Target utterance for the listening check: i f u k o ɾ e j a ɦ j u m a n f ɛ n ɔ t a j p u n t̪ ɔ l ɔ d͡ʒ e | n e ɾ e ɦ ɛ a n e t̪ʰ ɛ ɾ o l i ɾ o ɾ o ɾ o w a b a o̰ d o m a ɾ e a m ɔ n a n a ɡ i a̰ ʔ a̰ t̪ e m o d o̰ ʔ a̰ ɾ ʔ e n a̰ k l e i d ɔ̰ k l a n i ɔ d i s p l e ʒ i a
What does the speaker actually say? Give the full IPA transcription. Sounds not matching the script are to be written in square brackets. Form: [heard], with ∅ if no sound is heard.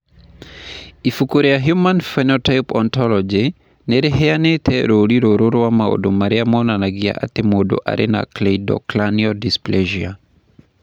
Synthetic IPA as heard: i f u k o ɾ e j a ɦ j u m a n f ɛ n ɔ t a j p [ɔ] n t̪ ɔ l ɔ d͡ʒ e | n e ɾ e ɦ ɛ a n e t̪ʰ ɛ ɾ o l i ɾ o ɾ o ɾ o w a [m] a o̰ d o m a ɾ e a m ɔ n a n a ɡ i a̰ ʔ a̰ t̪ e m o d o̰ ʔ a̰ ɾ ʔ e n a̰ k l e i d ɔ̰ k l a n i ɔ d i s p l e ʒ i a